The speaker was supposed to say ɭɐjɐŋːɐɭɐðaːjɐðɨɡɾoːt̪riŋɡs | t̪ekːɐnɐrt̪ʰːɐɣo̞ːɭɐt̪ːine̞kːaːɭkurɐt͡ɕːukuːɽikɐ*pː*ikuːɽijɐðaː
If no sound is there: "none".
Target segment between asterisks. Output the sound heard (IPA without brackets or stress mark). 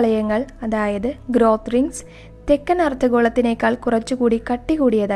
ʈː